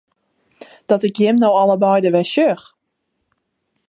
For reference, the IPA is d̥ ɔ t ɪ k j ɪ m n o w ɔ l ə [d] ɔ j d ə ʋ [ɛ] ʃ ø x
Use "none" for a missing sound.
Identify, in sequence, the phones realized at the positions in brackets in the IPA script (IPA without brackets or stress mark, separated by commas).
b, ɛ